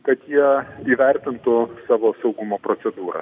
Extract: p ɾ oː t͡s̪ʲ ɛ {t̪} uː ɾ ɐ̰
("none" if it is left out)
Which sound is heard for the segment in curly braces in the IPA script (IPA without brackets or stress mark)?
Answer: d̪